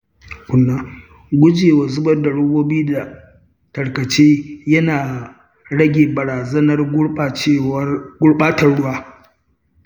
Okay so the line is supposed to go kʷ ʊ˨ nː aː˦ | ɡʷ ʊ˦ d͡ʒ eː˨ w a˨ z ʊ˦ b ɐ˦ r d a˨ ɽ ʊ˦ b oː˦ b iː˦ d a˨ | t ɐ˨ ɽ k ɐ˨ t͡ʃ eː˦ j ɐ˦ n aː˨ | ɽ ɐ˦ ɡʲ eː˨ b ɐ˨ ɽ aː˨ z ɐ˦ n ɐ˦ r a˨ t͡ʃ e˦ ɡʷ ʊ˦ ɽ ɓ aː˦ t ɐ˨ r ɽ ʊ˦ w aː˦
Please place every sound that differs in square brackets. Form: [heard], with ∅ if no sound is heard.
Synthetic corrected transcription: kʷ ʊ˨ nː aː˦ | ɡʷ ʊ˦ d͡ʒ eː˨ w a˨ z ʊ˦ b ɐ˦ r d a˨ ɽ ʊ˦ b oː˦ b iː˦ d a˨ | t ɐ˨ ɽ k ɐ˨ t͡ʃ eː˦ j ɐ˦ n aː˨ | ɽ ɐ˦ ɡʲ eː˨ b ɐ˨ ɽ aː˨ z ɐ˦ n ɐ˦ r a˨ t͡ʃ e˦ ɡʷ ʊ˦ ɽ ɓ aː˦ t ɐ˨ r ɽ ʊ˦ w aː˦